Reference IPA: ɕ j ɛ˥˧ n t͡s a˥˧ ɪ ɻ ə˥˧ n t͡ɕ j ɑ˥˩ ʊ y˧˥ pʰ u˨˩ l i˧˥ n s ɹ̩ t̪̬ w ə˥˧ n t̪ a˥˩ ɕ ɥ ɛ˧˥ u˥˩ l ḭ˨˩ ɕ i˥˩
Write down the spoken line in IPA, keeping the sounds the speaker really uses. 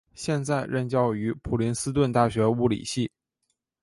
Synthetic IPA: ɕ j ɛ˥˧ n t͡s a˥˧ ɪ ɻ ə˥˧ n t͡ɕ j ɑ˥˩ ʊ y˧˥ pʰ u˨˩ l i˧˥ n s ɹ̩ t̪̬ w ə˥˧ n t̪ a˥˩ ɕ ɥ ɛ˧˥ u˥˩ l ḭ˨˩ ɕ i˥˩